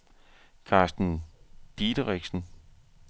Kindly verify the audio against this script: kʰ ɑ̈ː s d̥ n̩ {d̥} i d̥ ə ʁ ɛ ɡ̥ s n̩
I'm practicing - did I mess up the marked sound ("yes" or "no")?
no